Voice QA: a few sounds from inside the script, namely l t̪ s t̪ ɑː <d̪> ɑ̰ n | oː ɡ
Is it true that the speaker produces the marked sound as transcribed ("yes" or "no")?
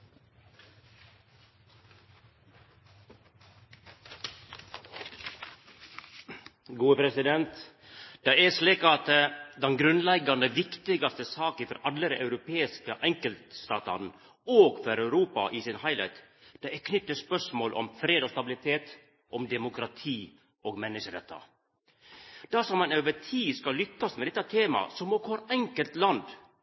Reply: no